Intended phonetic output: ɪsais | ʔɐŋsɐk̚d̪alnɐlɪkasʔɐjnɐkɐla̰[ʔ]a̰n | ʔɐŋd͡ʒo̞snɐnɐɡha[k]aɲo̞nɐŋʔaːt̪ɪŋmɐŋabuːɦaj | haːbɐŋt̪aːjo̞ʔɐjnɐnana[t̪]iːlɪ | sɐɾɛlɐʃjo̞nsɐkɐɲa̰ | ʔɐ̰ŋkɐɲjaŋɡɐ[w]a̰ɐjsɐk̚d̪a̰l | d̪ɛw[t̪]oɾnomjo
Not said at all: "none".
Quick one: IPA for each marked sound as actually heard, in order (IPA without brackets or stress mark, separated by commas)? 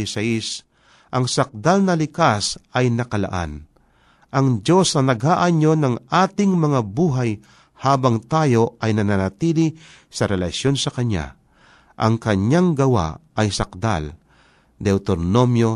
ʔ, ʔ, t̪, w, t̪